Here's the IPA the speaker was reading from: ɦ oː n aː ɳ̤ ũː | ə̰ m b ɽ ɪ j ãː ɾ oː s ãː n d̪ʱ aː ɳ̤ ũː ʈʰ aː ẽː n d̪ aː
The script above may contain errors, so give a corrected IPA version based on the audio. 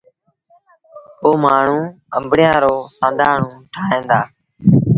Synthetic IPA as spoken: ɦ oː m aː ɳ̤ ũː | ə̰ m b ɽ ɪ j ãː ɾ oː s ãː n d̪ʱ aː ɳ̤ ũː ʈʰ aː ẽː n d̪ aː